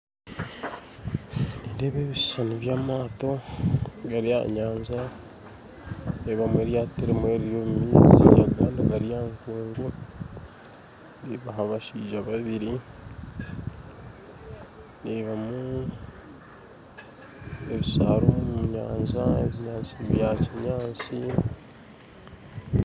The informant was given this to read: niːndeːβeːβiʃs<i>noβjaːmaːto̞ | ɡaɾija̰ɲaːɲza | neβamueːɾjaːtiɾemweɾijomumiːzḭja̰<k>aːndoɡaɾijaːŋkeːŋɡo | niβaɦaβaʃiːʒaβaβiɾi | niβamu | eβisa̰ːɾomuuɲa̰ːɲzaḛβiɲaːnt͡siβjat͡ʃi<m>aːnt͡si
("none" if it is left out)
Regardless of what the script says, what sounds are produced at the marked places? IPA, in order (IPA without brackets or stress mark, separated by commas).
a, ɡ, ɲ